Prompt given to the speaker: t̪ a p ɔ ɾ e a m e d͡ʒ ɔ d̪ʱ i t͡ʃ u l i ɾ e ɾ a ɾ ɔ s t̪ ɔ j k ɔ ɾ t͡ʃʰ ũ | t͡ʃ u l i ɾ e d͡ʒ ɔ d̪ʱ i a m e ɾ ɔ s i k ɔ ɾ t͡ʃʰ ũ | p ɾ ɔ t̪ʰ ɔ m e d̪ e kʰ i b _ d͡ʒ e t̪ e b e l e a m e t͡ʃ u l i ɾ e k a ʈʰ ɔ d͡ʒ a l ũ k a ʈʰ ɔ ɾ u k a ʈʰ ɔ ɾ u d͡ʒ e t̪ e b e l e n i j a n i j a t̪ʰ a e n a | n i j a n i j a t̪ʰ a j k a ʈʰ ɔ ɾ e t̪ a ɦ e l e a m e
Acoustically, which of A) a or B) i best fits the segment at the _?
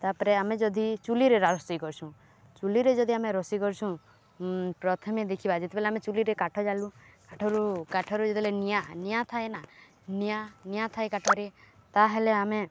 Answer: A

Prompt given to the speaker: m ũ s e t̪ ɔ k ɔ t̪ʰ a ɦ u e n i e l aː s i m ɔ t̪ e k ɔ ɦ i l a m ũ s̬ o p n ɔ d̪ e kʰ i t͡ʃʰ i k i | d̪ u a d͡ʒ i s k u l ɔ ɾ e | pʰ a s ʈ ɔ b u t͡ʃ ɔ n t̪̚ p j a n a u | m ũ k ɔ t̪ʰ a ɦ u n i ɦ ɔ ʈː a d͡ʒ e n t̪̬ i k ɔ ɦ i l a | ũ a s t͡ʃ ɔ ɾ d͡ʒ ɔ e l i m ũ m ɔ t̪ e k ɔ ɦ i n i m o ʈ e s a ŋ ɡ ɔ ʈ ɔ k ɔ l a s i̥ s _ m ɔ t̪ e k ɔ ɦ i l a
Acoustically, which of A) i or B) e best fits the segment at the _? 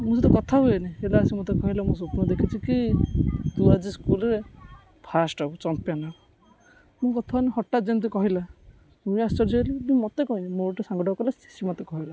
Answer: A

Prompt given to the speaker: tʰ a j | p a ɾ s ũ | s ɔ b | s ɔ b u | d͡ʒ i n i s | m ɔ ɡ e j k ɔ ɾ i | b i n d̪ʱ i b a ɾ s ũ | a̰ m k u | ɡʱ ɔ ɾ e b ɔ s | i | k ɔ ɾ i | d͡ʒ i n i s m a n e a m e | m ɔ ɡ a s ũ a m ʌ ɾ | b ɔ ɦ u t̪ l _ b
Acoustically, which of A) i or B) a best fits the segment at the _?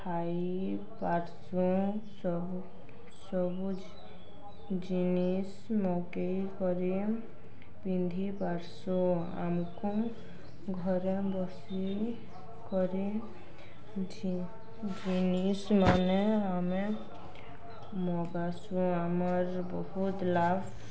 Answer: B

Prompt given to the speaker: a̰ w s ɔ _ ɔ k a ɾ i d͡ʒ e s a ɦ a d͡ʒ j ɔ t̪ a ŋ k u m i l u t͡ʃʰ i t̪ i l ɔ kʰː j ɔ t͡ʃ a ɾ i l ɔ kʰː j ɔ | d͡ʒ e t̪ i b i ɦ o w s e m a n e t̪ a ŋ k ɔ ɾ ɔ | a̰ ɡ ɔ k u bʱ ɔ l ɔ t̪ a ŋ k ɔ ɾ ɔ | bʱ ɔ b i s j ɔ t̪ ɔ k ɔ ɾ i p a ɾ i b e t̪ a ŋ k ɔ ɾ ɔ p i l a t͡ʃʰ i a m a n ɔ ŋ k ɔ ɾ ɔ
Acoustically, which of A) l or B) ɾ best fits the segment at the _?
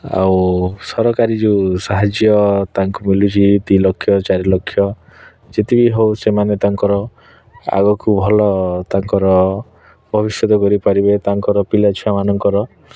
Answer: B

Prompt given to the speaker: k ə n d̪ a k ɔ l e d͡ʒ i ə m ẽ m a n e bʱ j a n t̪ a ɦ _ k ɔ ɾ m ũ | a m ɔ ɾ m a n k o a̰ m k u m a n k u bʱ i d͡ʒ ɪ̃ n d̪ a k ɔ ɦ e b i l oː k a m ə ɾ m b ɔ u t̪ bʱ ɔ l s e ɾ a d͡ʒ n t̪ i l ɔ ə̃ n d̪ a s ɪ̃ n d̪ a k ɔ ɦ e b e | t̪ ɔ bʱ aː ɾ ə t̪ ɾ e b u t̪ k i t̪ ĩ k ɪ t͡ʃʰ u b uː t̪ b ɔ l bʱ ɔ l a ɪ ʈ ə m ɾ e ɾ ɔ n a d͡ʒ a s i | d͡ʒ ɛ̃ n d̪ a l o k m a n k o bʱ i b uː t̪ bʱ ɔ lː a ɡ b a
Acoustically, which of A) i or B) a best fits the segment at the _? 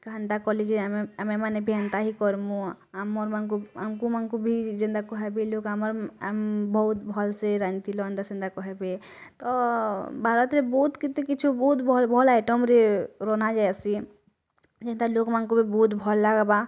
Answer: A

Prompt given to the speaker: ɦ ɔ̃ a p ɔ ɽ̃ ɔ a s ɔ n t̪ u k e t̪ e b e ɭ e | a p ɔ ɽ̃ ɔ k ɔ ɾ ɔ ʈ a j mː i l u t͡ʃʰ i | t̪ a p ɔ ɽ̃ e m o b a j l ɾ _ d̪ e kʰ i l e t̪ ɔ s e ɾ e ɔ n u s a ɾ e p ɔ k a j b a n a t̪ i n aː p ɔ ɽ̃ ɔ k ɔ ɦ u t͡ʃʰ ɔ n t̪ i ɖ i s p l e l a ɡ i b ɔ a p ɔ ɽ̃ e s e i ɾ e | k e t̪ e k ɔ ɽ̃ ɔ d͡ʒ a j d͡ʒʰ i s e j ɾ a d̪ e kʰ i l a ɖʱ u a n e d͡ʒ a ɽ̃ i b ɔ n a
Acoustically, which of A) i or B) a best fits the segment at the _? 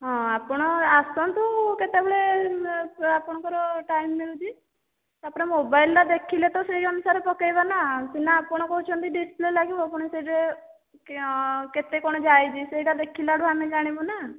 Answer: B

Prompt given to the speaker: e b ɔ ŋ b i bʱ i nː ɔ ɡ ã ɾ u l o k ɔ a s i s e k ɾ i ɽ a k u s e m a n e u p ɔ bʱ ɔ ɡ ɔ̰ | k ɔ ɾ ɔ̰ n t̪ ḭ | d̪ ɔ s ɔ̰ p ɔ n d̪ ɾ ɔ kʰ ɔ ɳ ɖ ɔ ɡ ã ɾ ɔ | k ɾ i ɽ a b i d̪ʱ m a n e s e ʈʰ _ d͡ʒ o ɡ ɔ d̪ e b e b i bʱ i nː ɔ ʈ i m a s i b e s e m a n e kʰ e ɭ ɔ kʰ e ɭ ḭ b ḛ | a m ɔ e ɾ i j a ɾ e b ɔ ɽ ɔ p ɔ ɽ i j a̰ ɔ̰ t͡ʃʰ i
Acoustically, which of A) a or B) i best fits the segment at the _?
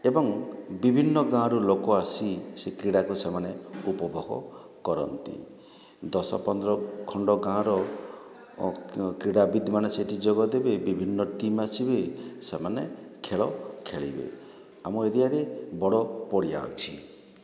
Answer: B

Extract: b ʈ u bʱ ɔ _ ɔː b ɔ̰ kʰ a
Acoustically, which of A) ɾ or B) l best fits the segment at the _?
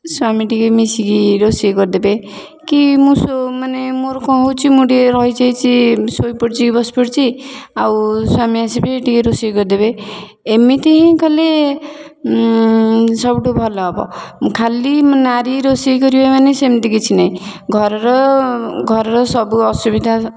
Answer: B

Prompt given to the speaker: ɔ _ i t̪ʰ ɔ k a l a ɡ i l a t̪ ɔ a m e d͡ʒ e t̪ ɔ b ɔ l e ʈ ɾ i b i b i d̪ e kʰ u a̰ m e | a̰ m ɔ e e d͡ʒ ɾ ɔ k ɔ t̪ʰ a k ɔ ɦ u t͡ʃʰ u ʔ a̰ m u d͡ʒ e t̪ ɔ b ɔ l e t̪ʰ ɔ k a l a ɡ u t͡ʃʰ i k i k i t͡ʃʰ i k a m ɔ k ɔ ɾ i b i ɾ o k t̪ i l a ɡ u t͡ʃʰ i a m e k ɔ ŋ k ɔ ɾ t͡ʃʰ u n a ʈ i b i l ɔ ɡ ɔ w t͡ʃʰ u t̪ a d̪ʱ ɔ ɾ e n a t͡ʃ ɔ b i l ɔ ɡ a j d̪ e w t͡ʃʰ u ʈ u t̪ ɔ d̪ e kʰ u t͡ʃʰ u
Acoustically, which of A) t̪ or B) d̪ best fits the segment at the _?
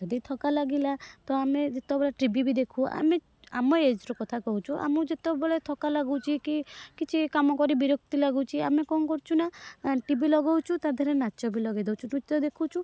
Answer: B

